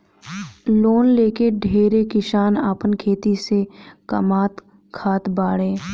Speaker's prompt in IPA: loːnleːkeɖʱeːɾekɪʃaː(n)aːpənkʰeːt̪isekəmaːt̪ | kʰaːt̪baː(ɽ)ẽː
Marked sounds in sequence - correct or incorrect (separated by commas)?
correct, correct